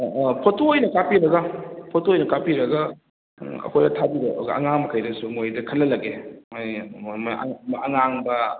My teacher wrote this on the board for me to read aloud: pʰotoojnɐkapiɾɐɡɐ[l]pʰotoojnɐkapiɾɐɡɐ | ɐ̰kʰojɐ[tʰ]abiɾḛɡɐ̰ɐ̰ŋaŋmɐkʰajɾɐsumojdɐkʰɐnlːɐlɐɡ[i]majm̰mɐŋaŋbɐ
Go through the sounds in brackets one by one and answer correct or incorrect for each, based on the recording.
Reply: incorrect, correct, incorrect

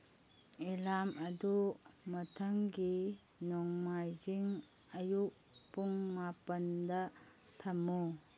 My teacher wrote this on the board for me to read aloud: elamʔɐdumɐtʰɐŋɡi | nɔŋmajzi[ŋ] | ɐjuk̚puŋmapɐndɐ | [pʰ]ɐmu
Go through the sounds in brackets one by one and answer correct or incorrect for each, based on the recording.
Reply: correct, incorrect

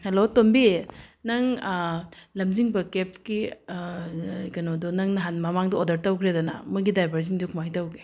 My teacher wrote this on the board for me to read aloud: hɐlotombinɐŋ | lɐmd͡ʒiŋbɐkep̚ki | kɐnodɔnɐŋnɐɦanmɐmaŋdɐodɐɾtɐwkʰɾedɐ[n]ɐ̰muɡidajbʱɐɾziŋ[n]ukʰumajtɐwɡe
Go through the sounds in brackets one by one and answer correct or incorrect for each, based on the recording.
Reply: correct, incorrect

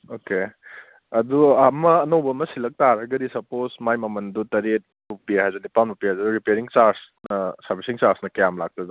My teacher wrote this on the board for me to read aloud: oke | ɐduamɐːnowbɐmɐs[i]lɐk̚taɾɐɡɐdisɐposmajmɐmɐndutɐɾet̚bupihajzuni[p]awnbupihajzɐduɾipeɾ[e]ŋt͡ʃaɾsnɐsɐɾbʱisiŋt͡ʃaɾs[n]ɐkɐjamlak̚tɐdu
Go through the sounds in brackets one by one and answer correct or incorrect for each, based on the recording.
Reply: correct, correct, incorrect, correct

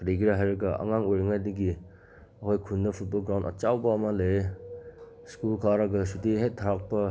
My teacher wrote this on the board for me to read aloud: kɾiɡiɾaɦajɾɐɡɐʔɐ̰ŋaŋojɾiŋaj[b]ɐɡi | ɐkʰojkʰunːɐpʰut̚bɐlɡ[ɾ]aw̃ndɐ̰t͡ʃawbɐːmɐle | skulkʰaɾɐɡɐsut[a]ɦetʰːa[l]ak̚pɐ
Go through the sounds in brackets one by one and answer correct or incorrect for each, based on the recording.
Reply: incorrect, correct, incorrect, incorrect

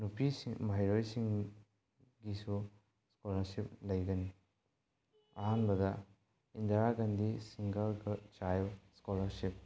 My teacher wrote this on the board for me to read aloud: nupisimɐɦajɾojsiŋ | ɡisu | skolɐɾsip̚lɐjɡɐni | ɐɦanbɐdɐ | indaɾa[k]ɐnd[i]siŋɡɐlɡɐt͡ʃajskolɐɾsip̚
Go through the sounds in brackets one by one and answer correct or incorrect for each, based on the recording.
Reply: incorrect, correct

